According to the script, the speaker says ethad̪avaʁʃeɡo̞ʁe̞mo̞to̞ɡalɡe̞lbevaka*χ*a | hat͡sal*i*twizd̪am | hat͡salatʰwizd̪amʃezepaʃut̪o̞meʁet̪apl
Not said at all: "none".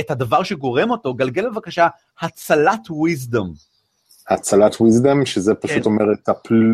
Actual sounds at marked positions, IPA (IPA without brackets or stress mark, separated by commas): ʃ, a